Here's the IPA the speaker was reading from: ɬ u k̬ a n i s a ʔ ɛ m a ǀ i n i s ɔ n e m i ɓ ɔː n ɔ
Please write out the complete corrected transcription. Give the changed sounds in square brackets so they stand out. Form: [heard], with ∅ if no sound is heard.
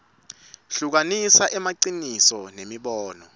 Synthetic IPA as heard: ɬ u k̬ a n i s a ʔ ɛ m a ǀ i n i s ɔ n e m i ɓ ɔː n ɔ